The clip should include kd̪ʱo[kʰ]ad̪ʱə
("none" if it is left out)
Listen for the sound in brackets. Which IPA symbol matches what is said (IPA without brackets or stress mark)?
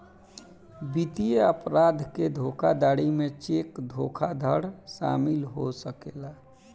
kʰ